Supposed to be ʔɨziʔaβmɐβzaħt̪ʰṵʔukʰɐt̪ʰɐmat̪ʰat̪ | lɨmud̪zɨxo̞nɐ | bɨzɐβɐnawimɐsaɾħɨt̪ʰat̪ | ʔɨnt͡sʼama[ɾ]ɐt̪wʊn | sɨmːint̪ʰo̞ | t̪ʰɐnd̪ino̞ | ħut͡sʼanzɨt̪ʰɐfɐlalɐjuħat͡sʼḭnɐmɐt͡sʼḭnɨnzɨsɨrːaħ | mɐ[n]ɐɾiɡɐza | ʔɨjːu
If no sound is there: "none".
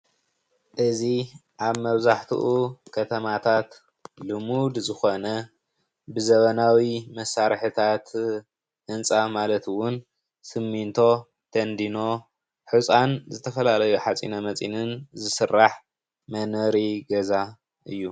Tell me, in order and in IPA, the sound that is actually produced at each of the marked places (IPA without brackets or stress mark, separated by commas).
l, n